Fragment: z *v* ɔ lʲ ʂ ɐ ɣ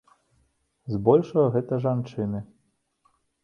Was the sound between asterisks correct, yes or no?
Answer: no